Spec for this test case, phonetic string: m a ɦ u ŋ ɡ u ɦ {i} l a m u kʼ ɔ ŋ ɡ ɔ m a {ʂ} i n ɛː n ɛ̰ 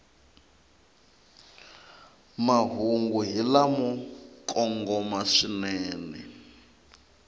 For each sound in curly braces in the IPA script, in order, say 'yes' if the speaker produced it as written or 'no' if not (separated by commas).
yes, yes